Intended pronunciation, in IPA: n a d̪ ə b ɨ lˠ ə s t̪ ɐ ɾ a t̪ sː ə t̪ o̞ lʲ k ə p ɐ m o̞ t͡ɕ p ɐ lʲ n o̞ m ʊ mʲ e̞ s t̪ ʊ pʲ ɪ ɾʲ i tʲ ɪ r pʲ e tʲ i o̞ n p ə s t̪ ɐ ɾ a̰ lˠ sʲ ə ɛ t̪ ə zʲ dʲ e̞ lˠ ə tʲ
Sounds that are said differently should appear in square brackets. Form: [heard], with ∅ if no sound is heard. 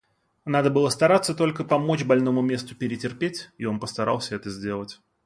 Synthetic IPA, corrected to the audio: n a d̪ ə b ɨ lˠ ə s t̪ ɐ ɾ a t̪ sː ə t̪ o̞ lʲ k ə p ɐ m o̞ t͡ɕ [b] ɐ lʲ n o̞ m ʊ mʲ e̞ s t̪ ʊ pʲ ɪ ɾʲ [ɪ] tʲ ɪ r pʲ e tʲ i o̞ n p ə s t̪ ɐ ɾ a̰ lˠ sʲ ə ɛ t̪ ə zʲ dʲ e̞ lˠ ə tʲ